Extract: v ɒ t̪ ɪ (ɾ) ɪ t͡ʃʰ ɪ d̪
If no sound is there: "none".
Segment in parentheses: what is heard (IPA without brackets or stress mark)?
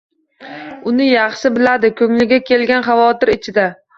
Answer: ɾ